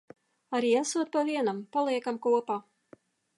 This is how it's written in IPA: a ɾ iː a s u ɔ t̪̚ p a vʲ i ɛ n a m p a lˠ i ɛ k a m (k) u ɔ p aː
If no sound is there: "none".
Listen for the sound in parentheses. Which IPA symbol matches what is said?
k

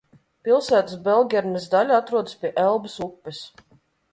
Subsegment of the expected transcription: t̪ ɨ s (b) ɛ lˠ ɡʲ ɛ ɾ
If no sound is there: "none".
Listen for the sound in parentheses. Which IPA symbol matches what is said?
b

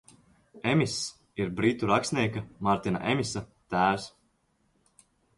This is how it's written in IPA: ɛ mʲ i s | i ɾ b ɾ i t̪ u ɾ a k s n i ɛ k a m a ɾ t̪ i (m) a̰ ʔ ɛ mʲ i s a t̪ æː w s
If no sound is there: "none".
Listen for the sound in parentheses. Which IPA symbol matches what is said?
n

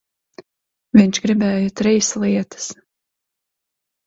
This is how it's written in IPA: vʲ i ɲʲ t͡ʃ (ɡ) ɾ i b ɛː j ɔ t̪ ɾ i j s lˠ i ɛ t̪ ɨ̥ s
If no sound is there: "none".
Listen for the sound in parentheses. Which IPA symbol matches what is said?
ɡ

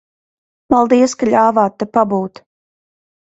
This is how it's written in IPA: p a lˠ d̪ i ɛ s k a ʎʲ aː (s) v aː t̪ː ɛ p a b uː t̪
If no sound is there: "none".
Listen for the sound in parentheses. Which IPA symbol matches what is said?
none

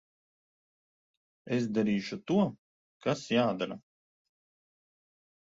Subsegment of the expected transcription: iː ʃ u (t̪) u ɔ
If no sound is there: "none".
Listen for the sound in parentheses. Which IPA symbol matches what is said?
t̪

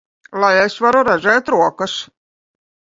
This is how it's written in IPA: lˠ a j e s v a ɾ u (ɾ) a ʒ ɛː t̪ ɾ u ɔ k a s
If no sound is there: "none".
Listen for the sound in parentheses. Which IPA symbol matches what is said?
ɾ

